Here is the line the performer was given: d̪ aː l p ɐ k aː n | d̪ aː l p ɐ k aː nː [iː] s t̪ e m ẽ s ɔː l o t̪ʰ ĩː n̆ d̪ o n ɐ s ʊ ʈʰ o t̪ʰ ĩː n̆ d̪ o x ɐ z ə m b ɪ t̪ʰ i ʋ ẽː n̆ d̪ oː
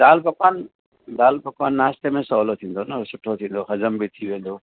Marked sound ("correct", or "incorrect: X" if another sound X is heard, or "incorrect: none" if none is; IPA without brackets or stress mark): incorrect: aː